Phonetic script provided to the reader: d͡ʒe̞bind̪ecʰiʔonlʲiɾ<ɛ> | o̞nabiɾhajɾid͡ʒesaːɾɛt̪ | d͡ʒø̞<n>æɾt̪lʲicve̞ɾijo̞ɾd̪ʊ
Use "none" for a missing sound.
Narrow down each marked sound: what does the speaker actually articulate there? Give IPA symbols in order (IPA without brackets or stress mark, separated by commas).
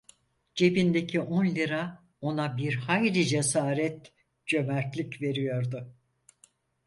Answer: a, m